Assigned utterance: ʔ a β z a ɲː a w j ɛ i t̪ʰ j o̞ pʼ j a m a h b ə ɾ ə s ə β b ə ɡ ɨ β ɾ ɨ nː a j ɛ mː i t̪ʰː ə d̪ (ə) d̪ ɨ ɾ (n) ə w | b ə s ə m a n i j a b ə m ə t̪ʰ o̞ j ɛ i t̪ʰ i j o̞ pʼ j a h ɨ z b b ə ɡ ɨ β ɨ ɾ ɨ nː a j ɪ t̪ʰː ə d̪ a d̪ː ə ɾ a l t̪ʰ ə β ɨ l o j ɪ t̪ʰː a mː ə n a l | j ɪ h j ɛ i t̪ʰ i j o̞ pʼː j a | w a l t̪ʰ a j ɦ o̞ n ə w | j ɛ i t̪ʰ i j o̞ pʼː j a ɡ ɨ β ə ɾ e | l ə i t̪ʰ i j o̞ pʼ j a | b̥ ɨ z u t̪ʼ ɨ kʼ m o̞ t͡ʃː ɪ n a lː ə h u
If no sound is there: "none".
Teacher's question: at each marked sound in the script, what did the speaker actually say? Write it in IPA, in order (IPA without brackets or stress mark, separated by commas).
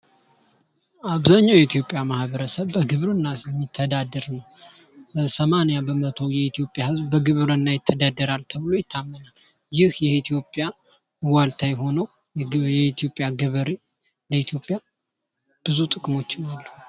a, n